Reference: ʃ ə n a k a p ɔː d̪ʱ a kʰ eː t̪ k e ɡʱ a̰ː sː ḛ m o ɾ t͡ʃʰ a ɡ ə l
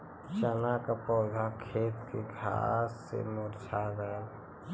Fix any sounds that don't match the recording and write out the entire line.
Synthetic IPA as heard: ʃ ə n a k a p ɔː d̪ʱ a kʰ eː t̪ k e ɡʱ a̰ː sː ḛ m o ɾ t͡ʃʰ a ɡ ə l